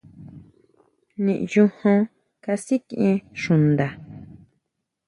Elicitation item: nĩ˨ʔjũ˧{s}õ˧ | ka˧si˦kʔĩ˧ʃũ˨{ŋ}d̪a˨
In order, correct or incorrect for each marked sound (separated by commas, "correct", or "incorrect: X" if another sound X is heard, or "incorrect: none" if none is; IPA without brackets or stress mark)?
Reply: incorrect: h, incorrect: n